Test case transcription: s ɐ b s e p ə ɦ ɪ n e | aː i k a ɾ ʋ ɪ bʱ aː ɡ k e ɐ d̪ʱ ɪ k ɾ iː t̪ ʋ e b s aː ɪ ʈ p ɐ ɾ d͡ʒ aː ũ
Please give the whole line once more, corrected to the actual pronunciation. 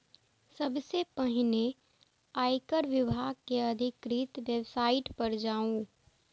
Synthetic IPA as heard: s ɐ b s e p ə ɦ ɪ n e | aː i k ə ɾ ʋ ɪ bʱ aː ɡ k e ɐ d̪ʱ ɪ k ɾ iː t̪ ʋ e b s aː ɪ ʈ p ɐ ɾ d͡ʒ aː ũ